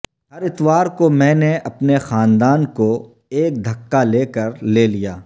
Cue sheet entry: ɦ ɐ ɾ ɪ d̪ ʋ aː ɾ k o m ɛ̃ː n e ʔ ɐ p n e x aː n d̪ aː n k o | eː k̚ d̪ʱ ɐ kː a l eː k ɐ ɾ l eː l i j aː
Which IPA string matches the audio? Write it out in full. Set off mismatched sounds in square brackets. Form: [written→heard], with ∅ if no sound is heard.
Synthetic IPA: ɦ ɐ ɾ ɪ [d̪→t̪] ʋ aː ɾ k o m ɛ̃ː n e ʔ ɐ p n e x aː n d̪ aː n k o | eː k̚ d̪ʱ ɐ kː a l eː k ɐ ɾ l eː l i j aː